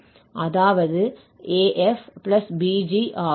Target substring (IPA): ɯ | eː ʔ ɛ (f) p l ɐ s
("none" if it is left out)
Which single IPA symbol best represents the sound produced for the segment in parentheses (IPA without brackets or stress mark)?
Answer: f